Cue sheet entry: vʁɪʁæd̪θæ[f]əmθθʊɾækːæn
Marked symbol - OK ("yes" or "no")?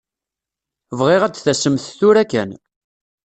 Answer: no